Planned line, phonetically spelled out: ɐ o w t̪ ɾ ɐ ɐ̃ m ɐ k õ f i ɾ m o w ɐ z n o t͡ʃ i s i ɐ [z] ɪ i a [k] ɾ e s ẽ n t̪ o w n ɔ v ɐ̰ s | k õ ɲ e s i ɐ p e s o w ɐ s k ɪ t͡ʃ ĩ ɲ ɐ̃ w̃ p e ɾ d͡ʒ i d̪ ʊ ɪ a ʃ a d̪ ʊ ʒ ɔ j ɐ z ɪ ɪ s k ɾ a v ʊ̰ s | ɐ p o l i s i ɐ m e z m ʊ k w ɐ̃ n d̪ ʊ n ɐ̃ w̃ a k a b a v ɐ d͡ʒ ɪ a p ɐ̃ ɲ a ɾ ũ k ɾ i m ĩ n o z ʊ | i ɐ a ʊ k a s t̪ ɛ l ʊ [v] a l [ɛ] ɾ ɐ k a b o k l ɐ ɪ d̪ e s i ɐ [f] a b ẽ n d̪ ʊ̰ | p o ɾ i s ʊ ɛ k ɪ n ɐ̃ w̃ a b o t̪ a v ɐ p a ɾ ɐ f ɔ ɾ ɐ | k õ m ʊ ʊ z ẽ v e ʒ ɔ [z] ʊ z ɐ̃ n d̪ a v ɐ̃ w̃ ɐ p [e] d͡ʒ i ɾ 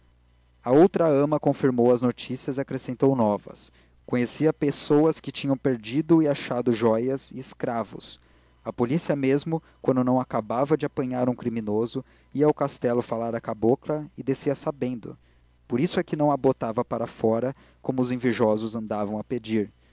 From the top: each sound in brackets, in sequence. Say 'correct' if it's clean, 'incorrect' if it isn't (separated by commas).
correct, correct, incorrect, incorrect, incorrect, correct, correct